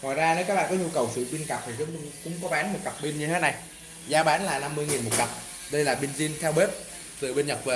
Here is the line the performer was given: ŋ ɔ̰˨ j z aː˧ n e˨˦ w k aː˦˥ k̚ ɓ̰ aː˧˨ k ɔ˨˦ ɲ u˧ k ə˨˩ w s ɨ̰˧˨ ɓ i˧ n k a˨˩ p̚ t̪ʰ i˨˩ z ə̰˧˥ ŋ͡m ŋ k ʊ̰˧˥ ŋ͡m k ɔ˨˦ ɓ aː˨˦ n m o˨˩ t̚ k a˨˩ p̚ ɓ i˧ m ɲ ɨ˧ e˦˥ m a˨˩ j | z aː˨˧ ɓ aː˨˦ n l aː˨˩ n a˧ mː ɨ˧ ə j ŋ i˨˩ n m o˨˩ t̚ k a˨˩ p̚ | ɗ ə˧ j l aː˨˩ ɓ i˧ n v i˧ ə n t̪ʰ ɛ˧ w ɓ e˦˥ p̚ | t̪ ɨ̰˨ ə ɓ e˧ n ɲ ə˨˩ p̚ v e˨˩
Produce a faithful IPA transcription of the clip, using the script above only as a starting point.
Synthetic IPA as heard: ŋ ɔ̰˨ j z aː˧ n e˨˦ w k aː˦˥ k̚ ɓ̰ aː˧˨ k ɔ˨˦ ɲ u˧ k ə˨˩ w s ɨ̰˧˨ ɓ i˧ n k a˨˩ p̚ t̪ʰ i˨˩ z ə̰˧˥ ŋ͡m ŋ k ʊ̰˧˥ ŋ͡m k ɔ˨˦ ɓ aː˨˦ n m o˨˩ t̚ k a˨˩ p̚ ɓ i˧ m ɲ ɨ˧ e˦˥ n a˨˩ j | z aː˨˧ ɓ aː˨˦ n l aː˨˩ n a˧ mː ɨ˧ ə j ŋ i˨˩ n m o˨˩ t̚ k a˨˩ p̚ | ɗ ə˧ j l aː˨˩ ɓ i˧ n z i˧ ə n t̪ʰ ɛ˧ w ɓ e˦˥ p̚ | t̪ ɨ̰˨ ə ɓ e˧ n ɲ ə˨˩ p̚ v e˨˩